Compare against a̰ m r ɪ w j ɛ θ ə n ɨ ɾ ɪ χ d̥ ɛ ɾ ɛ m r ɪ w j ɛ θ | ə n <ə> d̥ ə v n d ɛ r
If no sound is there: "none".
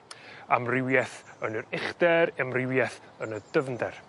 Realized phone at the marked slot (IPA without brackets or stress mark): ə